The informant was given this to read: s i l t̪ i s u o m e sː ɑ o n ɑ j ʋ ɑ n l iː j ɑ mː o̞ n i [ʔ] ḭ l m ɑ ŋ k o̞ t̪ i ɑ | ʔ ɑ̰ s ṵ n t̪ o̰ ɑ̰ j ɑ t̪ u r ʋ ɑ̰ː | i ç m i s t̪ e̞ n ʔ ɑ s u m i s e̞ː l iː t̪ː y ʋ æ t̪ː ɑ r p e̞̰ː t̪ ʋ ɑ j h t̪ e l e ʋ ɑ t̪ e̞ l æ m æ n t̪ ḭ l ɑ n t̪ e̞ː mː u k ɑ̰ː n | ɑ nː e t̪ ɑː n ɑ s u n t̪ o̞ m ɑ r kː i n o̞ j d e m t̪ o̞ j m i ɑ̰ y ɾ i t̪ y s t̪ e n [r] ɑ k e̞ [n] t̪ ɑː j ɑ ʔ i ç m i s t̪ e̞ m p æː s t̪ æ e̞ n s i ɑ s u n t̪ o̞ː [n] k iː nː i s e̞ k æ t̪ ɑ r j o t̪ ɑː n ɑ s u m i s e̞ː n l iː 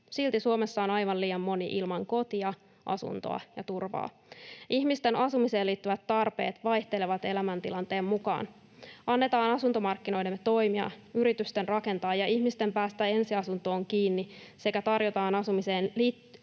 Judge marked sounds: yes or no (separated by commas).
yes, yes, yes, no